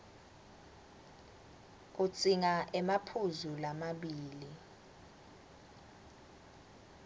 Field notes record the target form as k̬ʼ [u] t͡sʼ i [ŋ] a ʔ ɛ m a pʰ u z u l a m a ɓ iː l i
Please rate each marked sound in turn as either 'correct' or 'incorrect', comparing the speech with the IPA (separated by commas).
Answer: correct, correct